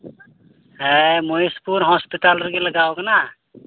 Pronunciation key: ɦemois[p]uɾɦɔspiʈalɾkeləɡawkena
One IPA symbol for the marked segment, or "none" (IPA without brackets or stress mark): p